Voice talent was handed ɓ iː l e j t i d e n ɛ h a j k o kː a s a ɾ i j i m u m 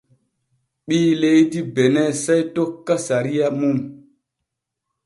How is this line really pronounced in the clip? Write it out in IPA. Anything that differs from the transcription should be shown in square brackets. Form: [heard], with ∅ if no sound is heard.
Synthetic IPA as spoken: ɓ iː l e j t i [b] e n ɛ [s] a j [t] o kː a s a ɾ i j [a] m u m